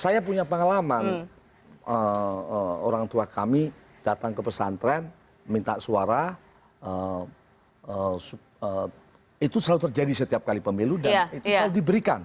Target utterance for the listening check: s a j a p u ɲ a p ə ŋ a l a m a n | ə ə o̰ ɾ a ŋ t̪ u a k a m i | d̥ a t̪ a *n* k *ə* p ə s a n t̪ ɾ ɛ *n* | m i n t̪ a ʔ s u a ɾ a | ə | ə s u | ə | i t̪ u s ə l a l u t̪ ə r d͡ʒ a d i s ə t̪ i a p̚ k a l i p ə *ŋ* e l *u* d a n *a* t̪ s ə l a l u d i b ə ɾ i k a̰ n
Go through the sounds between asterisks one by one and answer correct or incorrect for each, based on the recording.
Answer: incorrect: ŋ, correct, correct, incorrect: m, correct, incorrect: i

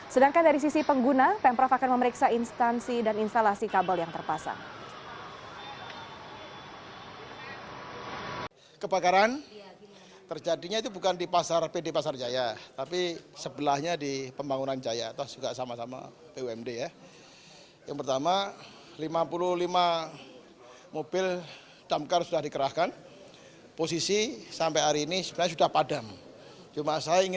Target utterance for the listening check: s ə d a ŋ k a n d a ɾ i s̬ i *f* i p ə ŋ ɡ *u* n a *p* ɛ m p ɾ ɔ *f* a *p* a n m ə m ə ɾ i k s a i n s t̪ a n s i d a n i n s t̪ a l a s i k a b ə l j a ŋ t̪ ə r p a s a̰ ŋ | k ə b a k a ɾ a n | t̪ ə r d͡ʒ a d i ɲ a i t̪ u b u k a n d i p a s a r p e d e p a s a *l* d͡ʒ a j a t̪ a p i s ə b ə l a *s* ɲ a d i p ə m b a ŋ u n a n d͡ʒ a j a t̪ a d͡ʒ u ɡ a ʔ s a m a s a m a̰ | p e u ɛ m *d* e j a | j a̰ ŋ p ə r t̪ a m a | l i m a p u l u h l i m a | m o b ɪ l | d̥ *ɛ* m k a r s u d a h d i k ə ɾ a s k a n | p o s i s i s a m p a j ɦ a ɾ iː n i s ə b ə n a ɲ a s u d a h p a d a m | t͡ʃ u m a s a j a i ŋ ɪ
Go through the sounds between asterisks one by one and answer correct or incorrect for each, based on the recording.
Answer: incorrect: s, correct, correct, correct, incorrect: k, incorrect: r, incorrect: h, correct, incorrect: a

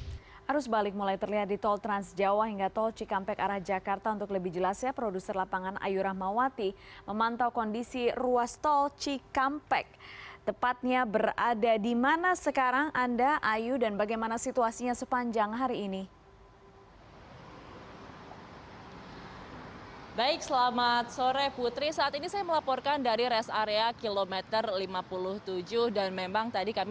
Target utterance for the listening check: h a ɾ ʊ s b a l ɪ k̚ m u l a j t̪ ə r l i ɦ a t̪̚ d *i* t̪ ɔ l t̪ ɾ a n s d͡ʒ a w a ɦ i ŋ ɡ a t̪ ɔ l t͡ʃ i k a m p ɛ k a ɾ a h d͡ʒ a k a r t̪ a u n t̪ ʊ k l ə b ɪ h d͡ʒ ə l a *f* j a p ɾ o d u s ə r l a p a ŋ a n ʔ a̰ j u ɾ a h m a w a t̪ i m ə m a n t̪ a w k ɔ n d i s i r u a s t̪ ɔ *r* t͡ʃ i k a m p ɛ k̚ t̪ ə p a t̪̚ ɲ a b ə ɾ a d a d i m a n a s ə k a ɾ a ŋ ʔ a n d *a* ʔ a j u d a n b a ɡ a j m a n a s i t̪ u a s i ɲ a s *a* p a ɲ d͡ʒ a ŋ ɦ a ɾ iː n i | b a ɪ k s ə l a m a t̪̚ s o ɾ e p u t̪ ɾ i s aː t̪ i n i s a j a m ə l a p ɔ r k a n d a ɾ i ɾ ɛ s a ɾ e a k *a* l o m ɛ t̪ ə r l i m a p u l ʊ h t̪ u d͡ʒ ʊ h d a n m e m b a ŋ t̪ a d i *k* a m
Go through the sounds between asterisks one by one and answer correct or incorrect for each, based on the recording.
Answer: correct, incorrect: s, incorrect: l, correct, incorrect: ə, incorrect: i, correct

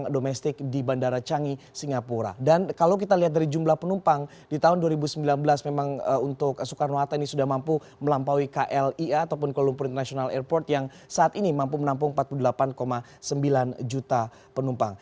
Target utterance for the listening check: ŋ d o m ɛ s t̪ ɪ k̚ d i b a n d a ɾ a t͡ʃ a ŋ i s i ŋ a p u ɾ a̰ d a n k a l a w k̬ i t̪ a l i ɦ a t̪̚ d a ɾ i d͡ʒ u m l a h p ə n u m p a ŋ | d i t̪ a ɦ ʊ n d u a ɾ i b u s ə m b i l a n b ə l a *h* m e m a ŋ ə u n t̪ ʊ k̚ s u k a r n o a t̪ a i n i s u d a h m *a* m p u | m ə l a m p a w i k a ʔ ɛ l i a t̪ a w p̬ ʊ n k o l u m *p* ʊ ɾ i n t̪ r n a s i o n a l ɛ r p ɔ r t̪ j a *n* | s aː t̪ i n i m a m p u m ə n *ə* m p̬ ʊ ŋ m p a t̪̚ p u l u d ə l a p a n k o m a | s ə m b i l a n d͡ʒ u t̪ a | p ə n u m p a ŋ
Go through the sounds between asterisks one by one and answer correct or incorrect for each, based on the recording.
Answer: incorrect: s, correct, correct, incorrect: ŋ, incorrect: a

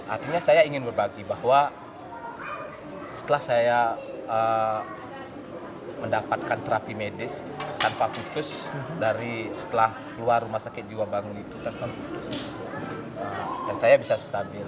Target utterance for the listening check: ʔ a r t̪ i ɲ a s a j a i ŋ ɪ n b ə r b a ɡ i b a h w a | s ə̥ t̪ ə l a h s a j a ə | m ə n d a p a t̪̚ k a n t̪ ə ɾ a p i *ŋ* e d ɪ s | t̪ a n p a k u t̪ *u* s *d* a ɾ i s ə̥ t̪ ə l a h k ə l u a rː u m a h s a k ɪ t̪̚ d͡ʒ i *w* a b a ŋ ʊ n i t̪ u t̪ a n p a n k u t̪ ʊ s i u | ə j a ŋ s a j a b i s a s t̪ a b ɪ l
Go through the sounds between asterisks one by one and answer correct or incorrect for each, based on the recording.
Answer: incorrect: m, incorrect: ʊ, correct, correct

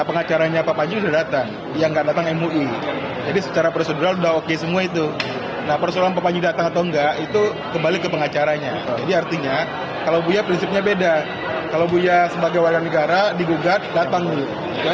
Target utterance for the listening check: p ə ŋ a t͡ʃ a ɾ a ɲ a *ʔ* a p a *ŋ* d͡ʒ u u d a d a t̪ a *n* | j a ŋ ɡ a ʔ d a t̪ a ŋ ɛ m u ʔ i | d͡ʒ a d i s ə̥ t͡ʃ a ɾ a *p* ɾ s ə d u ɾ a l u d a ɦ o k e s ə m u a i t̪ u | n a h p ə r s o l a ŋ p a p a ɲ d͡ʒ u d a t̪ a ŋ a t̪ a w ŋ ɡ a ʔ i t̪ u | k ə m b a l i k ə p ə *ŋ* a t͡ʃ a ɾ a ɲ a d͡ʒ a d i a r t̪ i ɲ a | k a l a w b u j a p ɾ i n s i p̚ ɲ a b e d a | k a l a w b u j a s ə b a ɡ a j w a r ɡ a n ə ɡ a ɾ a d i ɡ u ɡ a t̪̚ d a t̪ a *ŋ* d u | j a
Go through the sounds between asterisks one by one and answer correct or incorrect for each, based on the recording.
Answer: incorrect: p, incorrect: ɲ, incorrect: ŋ, correct, correct, correct

